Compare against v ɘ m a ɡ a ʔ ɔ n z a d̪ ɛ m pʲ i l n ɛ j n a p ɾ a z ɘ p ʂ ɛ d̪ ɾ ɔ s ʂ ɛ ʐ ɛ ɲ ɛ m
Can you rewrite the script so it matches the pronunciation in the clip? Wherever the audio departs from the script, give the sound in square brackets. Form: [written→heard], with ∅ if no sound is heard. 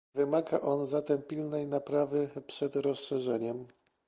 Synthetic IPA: v ɘ m a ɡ a ʔ ɔ n z a [d̪→t̪] ɛ m pʲ i l n ɛ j n a p ɾ a [z→v] ɘ p ʂ ɛ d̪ ɾ ɔ s ʂ ɛ ʐ ɛ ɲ ɛ m